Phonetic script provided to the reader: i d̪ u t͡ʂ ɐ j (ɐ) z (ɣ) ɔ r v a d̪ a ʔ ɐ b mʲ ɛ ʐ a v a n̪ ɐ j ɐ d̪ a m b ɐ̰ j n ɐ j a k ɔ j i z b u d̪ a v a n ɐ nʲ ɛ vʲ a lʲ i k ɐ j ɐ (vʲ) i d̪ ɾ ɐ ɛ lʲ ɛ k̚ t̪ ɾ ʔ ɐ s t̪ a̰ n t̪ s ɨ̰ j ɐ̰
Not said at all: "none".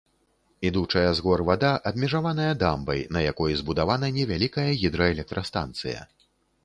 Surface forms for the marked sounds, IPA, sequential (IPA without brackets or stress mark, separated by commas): ɐ, ɣ, ɣʲ